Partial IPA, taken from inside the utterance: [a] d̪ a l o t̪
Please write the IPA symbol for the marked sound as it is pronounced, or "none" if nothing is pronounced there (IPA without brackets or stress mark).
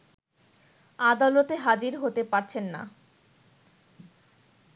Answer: a